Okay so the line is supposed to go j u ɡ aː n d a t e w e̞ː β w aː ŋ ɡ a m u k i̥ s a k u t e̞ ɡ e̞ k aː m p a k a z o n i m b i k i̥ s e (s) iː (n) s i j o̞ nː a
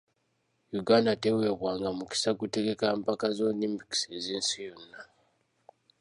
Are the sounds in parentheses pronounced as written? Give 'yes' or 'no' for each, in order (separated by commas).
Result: no, yes